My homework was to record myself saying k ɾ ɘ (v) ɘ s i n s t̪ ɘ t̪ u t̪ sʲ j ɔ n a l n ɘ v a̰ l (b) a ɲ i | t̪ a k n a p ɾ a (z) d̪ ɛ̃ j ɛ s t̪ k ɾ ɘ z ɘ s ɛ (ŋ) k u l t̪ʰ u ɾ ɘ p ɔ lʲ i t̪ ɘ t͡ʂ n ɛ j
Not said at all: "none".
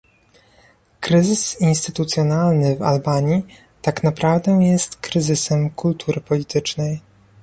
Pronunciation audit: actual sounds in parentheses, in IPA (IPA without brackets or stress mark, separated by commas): z, b, v, m